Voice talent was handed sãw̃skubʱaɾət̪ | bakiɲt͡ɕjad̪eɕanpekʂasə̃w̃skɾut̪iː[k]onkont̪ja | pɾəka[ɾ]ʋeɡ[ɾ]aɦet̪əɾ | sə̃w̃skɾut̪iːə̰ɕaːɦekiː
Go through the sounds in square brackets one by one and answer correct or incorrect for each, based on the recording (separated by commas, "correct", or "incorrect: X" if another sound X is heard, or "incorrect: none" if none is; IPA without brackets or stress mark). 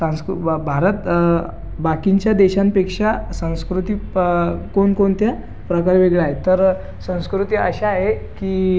correct, correct, incorrect: ɭ